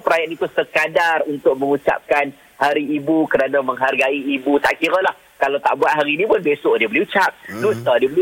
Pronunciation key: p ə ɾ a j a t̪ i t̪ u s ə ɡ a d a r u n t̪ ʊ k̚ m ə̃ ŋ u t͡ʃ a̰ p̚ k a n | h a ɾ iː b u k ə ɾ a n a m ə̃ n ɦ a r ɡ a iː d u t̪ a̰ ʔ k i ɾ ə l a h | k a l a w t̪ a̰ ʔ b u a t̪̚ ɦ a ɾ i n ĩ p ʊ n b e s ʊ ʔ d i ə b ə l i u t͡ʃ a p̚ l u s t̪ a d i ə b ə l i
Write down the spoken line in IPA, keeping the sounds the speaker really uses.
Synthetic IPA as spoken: p ə ɾ a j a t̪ i t̪ u s ə k a d a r u n t̪ ʊ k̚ m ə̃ ŋ u t͡ʃ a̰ p̚ k a n | h a ɾ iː b u k ə ɾ a n a m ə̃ ŋ ɦ a r ɡ a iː b u t̪ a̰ ʔ k i ɾ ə l a h | k a l a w t̪ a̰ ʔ b u a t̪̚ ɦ a ɾ i n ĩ p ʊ n b e s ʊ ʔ d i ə b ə l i u t͡ʃ a p̚ l u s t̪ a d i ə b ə l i